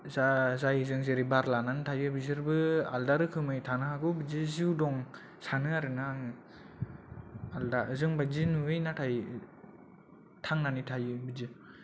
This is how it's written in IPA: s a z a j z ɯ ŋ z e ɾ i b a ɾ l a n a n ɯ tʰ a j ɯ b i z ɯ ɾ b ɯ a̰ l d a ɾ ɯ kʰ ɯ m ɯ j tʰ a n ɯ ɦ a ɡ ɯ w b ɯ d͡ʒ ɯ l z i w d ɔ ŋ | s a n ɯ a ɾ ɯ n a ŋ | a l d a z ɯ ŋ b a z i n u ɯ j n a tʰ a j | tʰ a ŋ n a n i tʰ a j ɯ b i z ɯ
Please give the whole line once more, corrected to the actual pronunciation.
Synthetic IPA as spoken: z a z a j z ɯ ŋ z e ɾ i b a ɾ l a n a n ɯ tʰ a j ɯ b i z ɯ ɾ b ɯ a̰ l d a ɾ ɯ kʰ ɯ m ɯ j tʰ a n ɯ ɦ a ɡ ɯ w b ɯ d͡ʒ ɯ z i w d ɔ ŋ | s a n ɯ a ɾ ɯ n a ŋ | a l d a z ɯ ŋ b a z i n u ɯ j n a tʰ a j | tʰ a ŋ n a n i tʰ a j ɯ b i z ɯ